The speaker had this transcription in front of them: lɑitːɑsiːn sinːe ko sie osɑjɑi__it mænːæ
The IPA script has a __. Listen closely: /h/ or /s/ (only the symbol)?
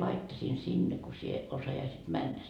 s